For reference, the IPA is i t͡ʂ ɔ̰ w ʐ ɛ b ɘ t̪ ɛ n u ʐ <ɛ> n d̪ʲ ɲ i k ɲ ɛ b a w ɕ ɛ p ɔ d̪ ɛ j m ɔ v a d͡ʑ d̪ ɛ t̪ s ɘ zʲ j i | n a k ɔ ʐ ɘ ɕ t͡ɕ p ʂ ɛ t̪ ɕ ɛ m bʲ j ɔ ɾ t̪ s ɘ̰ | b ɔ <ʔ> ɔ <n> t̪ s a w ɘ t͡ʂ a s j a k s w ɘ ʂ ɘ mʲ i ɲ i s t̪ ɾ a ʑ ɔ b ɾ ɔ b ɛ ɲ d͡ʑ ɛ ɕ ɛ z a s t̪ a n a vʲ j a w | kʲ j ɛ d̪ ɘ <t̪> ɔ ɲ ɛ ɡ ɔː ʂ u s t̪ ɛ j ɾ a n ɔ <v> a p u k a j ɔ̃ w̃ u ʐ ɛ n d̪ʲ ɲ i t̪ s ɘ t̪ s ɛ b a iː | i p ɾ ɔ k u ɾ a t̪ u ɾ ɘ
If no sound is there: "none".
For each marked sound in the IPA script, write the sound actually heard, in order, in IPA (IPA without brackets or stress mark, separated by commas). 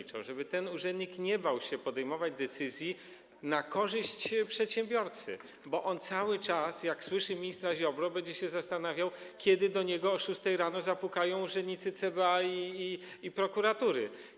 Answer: ɛ, ʔ, n, d̪, z